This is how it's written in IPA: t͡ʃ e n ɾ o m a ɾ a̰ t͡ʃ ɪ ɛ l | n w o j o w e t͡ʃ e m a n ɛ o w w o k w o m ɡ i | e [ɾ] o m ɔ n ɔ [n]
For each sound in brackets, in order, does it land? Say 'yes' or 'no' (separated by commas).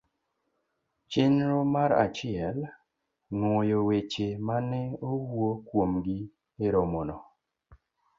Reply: yes, no